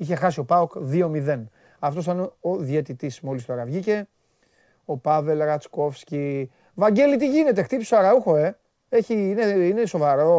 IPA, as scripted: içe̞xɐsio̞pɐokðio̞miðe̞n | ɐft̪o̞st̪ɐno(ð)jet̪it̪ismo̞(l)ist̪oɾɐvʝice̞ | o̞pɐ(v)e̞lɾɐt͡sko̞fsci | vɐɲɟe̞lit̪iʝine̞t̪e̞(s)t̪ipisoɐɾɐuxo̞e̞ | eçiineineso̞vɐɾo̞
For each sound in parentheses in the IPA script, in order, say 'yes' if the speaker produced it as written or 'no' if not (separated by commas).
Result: yes, yes, yes, no